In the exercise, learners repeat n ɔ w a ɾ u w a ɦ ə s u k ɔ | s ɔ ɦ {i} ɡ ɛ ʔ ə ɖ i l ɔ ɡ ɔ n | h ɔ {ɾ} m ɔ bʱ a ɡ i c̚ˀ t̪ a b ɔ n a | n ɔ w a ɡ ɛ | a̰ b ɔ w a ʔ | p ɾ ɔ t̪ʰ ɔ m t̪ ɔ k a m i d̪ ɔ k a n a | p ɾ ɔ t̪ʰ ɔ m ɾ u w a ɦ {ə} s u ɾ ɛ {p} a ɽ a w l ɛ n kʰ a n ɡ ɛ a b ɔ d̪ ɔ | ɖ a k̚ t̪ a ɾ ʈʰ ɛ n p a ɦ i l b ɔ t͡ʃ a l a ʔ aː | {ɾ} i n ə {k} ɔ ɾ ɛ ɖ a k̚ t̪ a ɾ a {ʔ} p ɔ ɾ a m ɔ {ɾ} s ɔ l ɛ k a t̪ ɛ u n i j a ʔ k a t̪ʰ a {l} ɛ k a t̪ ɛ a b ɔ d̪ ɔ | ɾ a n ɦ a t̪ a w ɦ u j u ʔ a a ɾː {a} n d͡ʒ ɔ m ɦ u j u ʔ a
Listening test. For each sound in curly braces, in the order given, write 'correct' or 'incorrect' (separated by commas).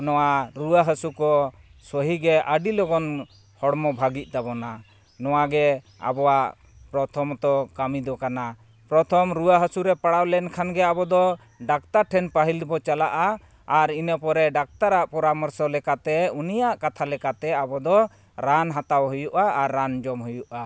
correct, incorrect, correct, correct, correct, incorrect, correct, correct, correct, correct